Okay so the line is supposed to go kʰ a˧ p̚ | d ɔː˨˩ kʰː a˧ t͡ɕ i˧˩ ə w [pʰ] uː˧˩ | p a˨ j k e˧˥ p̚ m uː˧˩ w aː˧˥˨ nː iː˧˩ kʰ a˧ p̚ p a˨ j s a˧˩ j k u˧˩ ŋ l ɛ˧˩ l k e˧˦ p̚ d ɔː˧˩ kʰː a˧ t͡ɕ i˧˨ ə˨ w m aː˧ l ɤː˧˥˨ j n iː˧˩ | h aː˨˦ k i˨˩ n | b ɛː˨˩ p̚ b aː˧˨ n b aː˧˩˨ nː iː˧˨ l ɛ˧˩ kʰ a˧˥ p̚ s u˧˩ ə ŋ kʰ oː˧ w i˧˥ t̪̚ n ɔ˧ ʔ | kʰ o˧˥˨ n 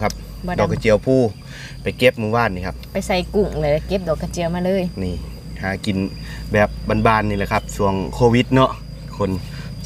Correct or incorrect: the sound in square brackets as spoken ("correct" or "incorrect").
correct